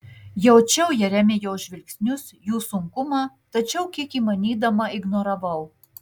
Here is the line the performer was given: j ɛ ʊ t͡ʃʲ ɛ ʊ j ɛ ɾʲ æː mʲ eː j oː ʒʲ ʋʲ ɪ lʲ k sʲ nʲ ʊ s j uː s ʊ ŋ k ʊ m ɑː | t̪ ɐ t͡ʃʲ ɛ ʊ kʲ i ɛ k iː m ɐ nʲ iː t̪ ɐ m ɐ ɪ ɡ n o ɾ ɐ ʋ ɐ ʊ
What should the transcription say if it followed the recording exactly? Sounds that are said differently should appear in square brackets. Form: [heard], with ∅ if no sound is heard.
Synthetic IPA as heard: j ɛ ʊ t͡ʃʲ ɛ ʊ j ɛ ɾʲ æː mʲ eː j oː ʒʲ ʋʲ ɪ lʲ k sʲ nʲ ʊ s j uː s ʊ ŋ k ʊ m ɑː | t̪ ɐ t͡ʃʲ ɛ ʊ kʲ i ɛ k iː m ɐ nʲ iː [d̪] ɐ m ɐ ɪ ɡ n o ɾ ɐ ʋ ɐ ʊ